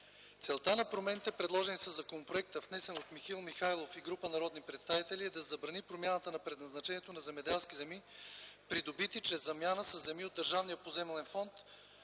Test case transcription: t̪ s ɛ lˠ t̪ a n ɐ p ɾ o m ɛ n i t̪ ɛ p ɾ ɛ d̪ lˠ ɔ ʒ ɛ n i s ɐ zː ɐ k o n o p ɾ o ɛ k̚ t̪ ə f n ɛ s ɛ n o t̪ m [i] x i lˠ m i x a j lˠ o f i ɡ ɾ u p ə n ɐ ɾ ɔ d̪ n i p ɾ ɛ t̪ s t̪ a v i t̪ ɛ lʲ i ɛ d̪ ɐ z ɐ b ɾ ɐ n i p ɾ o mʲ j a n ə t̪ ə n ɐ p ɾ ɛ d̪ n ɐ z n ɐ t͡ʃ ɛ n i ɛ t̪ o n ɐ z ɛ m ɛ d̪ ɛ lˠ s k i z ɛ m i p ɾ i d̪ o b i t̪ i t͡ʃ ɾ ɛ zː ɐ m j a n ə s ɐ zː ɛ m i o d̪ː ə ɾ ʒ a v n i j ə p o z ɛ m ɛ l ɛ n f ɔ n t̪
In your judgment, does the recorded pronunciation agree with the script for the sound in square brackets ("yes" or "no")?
yes